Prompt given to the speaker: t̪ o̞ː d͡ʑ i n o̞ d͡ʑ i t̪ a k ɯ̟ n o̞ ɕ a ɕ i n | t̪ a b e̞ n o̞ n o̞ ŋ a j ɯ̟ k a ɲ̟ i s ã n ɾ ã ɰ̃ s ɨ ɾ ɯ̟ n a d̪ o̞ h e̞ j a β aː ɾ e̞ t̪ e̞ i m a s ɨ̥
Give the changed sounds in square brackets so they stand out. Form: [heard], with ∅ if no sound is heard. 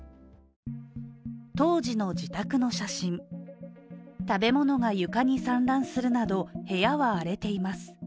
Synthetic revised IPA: t̪ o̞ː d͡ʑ i n o̞ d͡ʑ i t̪ a k ɯ̟ n o̞ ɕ a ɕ [ĩ] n | t̪ a b e̞ [m] o̞ n o̞ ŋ a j ɯ̟ k a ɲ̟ i s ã n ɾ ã ɰ̃ s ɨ ɾ ɯ̟ n a d̪ o̞ h e̞ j a β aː ɾ e̞ t̪ e̞ i m a s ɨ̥